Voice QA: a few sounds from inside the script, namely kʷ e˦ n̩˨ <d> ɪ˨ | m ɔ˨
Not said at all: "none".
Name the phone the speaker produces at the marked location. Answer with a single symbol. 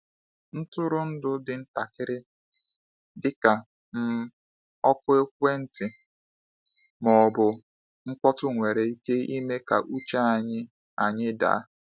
t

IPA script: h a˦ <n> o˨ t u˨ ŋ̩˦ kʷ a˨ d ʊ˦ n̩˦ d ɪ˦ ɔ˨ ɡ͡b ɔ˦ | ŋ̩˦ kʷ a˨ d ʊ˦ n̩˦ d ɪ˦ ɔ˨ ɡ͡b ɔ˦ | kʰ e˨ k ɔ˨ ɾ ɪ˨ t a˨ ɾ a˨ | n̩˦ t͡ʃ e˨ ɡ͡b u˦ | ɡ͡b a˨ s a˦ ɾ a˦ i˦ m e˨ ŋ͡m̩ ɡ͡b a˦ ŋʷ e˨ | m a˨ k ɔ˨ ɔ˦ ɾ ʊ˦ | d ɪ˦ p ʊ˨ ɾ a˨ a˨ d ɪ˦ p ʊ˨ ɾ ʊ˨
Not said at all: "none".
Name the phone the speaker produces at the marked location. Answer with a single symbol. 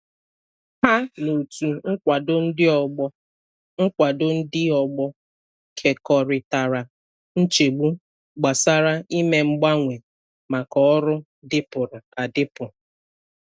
n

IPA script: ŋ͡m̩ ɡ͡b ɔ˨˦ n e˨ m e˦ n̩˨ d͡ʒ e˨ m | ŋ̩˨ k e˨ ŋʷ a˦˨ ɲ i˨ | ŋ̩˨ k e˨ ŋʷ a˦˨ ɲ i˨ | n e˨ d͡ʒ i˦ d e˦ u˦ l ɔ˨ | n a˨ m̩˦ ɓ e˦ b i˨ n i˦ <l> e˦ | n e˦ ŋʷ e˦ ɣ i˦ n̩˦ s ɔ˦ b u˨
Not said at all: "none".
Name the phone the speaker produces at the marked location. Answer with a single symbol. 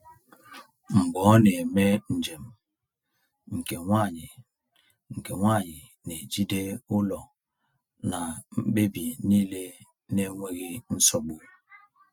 l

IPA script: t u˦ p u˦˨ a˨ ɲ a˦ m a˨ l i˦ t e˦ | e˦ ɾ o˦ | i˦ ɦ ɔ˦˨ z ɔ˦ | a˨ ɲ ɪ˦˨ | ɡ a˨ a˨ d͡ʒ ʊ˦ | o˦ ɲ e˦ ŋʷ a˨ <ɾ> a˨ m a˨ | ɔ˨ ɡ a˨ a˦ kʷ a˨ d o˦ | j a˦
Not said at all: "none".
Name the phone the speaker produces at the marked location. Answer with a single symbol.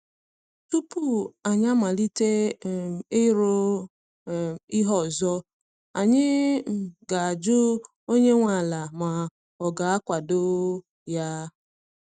l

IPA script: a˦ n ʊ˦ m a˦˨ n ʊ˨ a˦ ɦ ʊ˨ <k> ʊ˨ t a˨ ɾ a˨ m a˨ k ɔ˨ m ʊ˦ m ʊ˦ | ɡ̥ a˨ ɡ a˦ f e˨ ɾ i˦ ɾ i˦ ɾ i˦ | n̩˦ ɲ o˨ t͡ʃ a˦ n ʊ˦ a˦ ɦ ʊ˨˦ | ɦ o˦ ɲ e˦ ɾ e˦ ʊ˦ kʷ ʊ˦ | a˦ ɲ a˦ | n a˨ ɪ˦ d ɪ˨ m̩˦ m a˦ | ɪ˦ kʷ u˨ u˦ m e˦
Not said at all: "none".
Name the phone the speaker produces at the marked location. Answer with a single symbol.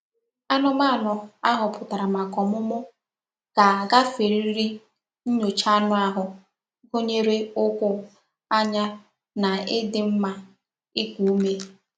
p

